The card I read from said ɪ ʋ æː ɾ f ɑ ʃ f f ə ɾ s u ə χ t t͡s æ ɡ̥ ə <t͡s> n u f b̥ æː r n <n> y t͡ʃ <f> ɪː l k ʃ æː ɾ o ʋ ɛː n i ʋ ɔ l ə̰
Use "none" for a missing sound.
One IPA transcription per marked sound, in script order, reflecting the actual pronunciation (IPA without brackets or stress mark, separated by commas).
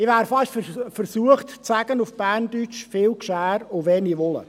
none, d, f